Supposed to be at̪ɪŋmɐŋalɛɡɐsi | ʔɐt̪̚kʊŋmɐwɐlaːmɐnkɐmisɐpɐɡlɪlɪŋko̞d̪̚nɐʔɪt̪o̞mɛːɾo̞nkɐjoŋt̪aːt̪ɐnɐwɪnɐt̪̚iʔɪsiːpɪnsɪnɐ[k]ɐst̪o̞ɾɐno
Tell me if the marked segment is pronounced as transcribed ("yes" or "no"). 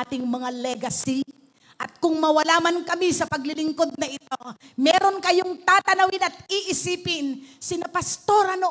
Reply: no